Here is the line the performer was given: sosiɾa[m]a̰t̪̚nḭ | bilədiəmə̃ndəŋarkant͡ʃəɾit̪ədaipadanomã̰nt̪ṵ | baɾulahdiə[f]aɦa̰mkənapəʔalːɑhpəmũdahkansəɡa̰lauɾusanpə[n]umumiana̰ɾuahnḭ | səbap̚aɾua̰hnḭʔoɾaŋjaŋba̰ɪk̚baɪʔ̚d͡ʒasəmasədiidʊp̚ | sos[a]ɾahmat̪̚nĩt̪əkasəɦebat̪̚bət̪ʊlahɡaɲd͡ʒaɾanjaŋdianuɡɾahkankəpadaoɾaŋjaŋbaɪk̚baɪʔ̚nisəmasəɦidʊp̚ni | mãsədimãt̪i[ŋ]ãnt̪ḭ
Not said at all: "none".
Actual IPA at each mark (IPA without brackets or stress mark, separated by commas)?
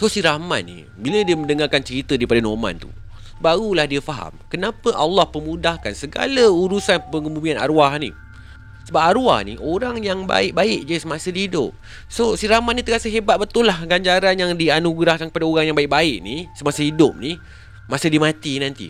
m, f, ŋ, i, n